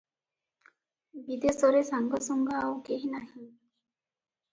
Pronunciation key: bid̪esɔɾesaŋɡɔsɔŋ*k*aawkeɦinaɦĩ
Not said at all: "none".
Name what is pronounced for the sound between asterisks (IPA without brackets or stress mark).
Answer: ɡ